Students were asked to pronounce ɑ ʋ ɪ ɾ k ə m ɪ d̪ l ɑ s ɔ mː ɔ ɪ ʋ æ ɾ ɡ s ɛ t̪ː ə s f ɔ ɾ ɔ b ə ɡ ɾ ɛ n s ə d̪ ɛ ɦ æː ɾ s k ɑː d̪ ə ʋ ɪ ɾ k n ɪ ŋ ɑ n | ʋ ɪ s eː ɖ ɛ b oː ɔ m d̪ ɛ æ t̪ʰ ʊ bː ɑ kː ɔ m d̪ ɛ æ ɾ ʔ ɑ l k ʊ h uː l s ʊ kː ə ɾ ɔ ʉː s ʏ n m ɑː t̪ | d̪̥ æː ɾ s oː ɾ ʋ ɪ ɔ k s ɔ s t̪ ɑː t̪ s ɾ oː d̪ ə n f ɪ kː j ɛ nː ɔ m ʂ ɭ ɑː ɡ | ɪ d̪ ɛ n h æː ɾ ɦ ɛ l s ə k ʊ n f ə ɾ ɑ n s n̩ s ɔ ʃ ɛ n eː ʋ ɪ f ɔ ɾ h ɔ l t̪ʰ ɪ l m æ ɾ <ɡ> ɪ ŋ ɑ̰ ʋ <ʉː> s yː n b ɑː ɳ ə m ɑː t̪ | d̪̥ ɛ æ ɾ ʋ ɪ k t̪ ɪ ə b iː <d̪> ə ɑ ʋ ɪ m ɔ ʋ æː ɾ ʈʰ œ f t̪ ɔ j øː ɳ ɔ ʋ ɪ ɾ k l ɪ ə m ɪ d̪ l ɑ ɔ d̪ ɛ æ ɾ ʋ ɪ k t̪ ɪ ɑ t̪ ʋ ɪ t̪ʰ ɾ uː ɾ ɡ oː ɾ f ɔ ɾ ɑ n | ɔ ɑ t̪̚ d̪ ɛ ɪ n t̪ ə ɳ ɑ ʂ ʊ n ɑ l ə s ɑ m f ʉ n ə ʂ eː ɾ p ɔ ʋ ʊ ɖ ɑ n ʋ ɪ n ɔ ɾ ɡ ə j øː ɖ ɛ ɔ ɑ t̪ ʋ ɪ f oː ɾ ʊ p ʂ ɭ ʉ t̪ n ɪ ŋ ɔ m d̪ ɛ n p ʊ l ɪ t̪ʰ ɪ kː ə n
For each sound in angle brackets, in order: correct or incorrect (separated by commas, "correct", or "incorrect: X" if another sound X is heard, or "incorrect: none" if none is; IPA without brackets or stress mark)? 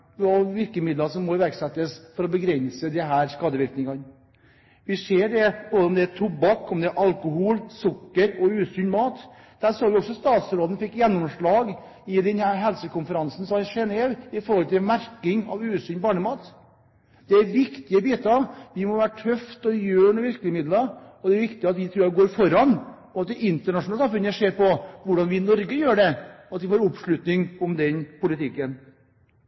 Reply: incorrect: k, correct, incorrect: t̪